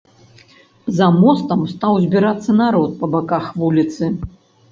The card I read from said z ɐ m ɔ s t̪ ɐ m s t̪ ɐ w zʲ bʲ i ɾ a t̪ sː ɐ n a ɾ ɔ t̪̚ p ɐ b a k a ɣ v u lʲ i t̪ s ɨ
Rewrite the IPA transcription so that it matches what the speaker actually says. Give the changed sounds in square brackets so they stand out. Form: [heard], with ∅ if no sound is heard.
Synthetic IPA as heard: z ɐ m ɔ s t̪ ɐ m s t̪ [a] w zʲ bʲ i ɾ a t̪ sː ɐ n a ɾ ɔ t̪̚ p ɐ b a k a [x] v u lʲ i t̪ s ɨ